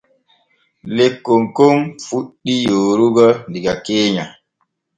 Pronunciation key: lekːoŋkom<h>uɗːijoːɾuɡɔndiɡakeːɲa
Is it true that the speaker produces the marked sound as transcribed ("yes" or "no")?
no